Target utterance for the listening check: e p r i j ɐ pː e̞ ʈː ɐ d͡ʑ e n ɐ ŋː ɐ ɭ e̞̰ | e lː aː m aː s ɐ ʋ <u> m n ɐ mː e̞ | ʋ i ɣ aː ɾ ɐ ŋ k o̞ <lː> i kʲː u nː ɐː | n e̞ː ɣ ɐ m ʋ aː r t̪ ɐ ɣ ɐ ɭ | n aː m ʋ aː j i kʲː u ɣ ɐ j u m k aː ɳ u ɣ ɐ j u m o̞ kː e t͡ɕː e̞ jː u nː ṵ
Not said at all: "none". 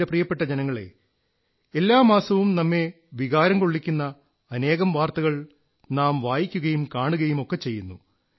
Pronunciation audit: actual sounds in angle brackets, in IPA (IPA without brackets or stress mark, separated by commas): u, ɭː